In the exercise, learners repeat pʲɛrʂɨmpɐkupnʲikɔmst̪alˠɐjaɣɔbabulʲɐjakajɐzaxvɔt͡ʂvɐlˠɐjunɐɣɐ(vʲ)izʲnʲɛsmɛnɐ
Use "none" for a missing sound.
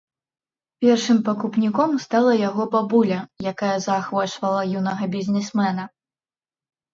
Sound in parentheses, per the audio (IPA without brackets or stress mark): bʲ